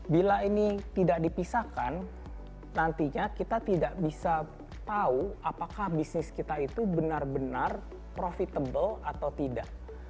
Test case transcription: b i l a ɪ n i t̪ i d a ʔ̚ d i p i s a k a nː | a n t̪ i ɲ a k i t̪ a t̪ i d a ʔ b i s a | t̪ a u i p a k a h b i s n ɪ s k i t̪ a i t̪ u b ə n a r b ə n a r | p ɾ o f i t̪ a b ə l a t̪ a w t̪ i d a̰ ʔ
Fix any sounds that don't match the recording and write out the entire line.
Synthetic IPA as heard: b i l a i n i t̪ i d a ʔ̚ d i p i s a k a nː | a n t̪ i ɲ a k i t̪ a t̪ i d a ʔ b i s a | t̪ a u a p a k a h b i s n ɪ s k i t̪ a i t̪ u b ə n a r b ə n a r | p ɾ o f i t̪ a b ə l a t̪ a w t̪ i d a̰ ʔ